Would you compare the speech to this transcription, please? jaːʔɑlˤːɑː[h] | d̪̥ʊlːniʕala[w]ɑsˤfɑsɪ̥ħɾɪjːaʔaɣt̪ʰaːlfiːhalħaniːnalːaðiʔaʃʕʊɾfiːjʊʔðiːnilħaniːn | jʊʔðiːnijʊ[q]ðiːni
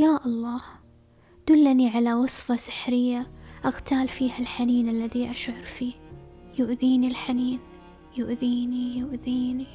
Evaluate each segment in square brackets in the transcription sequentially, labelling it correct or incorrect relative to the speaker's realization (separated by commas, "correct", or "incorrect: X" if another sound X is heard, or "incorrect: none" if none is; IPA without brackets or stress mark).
correct, correct, incorrect: ʔ